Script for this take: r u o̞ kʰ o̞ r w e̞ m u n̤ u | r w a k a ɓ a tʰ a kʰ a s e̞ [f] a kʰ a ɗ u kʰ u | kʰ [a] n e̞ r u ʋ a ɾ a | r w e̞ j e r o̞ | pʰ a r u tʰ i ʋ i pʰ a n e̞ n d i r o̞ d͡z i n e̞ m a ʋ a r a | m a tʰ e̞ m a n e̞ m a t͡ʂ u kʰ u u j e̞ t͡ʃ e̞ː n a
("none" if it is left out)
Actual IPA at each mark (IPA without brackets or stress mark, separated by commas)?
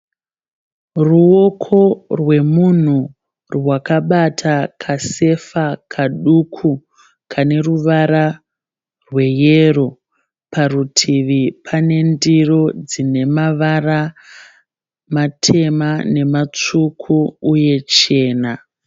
f, a